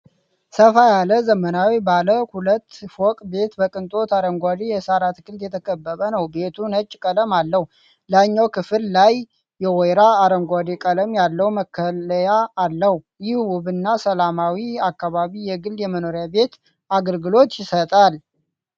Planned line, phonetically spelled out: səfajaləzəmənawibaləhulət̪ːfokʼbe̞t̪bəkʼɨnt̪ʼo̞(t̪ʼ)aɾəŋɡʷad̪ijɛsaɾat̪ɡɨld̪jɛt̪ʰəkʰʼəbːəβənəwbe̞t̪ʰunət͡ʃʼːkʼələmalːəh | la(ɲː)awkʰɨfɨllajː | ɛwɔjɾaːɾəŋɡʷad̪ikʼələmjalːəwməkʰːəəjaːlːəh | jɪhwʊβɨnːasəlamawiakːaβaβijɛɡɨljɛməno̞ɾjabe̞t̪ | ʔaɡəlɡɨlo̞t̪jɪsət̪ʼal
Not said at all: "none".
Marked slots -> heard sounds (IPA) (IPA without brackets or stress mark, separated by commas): t̪, ɲː